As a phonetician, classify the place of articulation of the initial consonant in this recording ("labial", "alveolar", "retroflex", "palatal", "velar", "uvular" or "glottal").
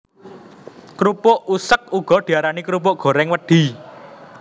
velar